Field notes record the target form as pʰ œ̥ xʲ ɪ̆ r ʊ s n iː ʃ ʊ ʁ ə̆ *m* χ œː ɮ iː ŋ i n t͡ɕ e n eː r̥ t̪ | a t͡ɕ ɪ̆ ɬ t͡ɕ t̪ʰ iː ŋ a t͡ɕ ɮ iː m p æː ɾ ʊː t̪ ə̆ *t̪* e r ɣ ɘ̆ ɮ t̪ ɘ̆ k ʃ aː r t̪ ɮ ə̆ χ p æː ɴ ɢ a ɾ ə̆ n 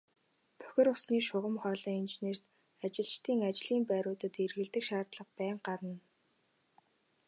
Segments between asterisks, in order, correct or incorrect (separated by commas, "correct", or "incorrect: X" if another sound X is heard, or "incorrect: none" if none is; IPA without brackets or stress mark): correct, correct